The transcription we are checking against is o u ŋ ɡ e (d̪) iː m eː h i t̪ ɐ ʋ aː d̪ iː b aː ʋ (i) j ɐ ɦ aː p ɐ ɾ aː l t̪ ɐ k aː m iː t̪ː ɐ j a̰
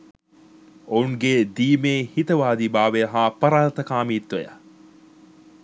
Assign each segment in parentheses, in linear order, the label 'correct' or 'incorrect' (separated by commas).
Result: correct, incorrect